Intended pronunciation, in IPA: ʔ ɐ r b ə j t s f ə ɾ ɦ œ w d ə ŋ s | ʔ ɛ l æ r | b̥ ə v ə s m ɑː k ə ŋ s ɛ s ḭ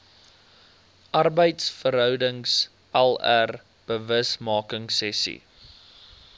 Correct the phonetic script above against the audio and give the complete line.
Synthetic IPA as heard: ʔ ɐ r b ə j t s f ə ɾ ɦ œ w d ə ŋ s | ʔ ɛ l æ r | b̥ ə v ə s m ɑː k ə ŋ s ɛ s ḭ